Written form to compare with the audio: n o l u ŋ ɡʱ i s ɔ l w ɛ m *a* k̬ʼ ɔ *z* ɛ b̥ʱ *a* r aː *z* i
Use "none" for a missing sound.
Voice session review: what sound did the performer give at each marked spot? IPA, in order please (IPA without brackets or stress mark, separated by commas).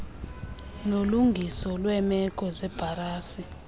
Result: ɛ, z, a, s